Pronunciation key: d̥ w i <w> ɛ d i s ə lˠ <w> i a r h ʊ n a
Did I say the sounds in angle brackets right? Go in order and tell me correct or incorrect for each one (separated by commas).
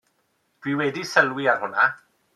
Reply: correct, correct